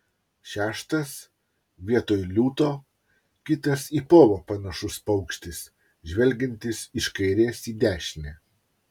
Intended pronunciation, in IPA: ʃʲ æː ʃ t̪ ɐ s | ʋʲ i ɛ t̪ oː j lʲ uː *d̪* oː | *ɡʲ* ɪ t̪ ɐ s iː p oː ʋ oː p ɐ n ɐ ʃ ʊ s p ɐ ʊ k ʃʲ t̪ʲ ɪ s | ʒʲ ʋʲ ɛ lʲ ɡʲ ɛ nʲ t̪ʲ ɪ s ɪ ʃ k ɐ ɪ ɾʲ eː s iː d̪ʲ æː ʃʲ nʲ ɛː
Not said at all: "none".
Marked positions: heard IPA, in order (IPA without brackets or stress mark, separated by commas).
t̪, kʲ